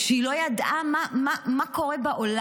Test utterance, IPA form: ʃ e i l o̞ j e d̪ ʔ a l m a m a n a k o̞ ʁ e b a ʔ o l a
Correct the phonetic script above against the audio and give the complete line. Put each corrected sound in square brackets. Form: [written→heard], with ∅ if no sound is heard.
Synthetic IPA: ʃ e i l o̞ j [e→a] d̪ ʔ a [l→∅] m a m a [n→m] a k o̞ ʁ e b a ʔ o l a